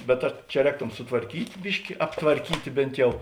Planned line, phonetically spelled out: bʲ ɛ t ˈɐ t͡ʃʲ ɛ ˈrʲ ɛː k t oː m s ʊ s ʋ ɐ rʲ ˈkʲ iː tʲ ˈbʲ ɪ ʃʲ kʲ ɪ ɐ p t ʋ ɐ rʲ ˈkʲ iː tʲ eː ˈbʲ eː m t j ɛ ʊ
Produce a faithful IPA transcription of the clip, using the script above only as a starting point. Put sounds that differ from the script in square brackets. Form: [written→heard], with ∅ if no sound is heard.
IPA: bʲ ɛ t ˈɐ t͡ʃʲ ɛ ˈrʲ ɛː k t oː m s ʊ [s→t] ʋ ɐ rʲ ˈkʲ iː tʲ ˈbʲ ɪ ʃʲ kʲ ɪ ɐ p t ʋ ɐ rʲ ˈkʲ iː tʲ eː ˈbʲ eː [m→n] t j ɛ ʊ

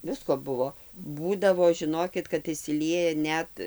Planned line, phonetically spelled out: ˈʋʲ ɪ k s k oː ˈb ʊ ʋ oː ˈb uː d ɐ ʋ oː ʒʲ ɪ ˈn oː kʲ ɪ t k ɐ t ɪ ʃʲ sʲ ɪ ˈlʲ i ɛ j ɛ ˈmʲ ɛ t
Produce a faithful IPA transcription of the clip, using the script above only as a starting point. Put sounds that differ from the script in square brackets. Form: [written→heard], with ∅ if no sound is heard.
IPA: ˈʋʲ ɪ [k→∅] s k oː ˈb ʊ ʋ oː ˈb uː d ɐ ʋ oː ʒʲ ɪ ˈn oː kʲ ɪ t k ɐ t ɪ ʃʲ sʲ ɪ ˈlʲ i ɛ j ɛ [ˈmʲ→ˈnʲ] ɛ t

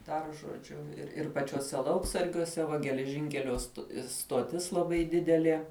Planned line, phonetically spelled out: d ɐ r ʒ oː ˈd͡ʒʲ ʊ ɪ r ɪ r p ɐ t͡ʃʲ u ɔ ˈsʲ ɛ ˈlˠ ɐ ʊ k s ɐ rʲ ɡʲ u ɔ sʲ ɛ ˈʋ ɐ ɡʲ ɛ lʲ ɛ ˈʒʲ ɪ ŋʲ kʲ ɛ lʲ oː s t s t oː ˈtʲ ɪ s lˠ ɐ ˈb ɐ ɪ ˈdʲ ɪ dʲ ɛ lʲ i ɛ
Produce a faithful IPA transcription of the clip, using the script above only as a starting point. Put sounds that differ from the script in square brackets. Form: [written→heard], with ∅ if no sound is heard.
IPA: d ɐ r ʒ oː ˈd͡ʒʲ ʊ ɪ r ɪ r p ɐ t͡ʃʲ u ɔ ˈsʲ ɛ ˈlˠ ɐ ʊ k s ɐ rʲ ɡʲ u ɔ sʲ ɛ ˈʋ ɐ ɡʲ ɛ lʲ ɛ ˈʒʲ ɪ ŋʲ kʲ ɛ lʲ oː s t s t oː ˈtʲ ɪ s lˠ ɐ ˈb ɐ ɪ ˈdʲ ɪ dʲ ɛ lʲ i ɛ

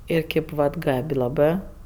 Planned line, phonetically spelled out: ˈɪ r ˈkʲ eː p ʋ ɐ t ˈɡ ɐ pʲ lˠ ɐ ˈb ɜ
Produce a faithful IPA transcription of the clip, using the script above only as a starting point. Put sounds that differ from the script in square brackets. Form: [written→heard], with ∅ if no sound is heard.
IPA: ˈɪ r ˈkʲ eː p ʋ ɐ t ˈɡ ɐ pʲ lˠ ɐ ˈb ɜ

